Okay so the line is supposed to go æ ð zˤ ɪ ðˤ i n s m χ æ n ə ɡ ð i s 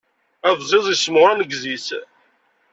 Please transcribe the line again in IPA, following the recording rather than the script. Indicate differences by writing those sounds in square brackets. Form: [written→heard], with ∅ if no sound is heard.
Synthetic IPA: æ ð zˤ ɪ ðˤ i [n→∅] s m [χ→ʁ] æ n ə ɡ [ð→z] i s